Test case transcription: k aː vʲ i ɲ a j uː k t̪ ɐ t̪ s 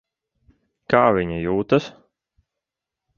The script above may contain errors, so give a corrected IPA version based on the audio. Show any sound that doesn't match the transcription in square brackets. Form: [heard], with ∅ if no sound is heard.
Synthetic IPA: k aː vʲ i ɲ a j uː [∅] t̪ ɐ [∅] s